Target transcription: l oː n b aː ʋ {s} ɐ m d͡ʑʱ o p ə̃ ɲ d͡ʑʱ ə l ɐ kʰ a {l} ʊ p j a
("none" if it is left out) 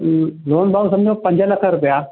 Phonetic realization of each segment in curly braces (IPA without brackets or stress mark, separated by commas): s, ɾ